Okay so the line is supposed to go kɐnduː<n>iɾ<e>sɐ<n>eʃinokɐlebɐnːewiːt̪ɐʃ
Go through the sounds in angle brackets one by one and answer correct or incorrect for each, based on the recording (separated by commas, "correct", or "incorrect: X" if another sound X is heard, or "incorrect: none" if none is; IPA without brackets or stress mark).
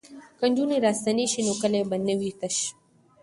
correct, incorrect: a, correct